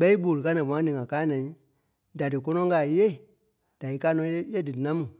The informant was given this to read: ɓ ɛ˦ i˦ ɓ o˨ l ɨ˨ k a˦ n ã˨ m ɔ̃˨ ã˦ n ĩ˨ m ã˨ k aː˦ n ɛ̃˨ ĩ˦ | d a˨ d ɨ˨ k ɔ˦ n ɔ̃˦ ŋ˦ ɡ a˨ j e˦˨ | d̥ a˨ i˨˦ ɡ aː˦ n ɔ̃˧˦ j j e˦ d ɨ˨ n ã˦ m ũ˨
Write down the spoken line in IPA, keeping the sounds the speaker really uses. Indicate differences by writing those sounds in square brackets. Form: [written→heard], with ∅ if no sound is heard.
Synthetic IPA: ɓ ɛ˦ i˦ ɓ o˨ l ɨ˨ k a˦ n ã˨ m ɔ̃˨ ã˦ n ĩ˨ [m→ŋ] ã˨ k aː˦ n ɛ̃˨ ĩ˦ | d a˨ d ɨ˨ k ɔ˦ n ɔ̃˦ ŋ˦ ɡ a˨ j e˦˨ | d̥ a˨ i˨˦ [ɡ→k] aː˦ n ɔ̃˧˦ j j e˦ d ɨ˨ n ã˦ m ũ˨

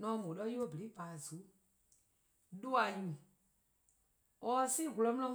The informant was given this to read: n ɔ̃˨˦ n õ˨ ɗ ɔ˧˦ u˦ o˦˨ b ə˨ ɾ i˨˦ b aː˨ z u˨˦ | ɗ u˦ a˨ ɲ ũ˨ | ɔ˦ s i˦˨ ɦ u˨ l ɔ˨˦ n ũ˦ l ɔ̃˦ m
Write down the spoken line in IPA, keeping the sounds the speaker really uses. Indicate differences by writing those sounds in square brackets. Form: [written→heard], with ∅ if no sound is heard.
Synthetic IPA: n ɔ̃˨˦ [n→m] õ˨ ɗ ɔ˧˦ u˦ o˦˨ b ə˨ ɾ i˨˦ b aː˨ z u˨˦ | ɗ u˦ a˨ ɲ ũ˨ | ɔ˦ s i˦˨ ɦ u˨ l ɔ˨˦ [n→m] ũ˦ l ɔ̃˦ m

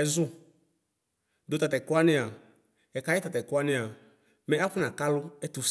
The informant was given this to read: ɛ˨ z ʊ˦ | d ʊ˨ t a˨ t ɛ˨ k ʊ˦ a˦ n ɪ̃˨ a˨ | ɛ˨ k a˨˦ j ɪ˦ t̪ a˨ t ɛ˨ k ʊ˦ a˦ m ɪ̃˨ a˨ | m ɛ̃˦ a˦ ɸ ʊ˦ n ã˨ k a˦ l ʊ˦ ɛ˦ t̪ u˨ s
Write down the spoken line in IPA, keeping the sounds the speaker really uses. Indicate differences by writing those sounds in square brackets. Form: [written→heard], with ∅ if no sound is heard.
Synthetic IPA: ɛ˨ z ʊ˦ | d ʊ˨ t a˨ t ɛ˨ k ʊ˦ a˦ n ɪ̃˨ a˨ | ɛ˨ k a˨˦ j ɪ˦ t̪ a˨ t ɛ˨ k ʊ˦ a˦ [m→n] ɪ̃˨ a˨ | m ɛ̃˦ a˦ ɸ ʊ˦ n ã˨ k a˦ l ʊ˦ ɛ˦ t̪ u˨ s

